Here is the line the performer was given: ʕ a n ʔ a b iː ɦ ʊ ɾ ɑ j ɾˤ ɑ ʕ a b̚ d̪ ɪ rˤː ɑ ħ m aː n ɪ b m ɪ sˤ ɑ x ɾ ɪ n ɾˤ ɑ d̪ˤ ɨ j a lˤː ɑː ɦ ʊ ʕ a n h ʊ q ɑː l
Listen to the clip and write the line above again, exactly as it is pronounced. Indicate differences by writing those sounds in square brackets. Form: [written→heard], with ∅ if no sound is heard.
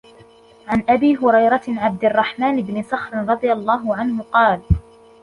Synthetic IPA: ʕ a n ʔ a b iː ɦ ʊ ɾ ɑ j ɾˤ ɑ ʕ a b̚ d̪ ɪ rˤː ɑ ħ m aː n ɪ b [m→n] ɪ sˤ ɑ x ɾ ɪ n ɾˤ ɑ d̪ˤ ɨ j a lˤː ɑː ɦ ʊ ʕ a n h ʊ q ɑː l